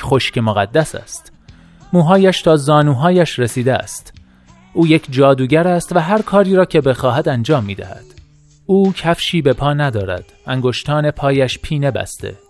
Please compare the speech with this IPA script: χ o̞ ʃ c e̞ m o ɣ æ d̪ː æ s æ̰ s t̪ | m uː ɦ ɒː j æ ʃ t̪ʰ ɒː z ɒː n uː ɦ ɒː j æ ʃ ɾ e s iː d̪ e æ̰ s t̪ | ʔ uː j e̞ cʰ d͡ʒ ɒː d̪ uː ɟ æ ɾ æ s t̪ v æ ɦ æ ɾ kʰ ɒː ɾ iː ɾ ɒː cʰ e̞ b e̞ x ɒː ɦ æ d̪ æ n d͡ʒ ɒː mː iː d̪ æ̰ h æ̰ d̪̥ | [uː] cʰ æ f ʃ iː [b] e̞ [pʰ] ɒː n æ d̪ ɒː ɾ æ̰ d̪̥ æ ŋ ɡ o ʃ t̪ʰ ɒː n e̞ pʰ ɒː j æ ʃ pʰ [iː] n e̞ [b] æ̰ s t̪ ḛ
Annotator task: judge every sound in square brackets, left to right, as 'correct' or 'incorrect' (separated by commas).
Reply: correct, correct, correct, correct, correct